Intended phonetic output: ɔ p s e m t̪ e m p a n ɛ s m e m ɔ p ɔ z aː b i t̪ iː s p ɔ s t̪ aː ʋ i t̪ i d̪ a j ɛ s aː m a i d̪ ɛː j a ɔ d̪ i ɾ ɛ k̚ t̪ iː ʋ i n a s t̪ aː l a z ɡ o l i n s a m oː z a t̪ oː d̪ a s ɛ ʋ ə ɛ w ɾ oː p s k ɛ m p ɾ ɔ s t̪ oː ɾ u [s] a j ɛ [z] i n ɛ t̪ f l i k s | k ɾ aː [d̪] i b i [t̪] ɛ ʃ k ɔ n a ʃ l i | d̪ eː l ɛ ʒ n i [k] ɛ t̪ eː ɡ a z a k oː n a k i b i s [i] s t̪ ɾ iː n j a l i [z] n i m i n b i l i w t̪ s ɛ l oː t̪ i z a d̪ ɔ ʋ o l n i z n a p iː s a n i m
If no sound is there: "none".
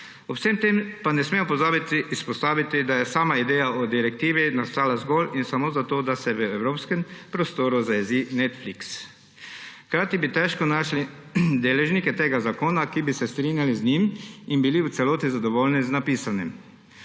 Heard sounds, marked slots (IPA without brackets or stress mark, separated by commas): z, z, t̪, t̪, k, ɛ, z